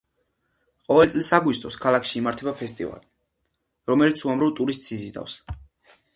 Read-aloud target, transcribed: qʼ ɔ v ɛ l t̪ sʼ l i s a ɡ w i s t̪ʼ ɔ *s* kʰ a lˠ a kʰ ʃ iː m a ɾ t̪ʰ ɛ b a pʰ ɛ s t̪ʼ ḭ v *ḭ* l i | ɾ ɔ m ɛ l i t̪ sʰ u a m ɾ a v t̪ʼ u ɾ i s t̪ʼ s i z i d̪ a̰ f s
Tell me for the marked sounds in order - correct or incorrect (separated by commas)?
correct, incorrect